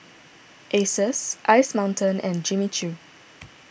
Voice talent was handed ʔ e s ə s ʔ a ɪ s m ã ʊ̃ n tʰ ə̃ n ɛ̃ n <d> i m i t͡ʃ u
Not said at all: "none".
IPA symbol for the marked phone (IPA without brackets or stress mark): d͡ʒ